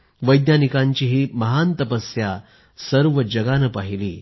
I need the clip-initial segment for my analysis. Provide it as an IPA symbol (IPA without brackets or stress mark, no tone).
ʋ